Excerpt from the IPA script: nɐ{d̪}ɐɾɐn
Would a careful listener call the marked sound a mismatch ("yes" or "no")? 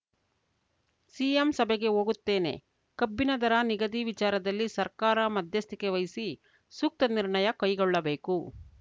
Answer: no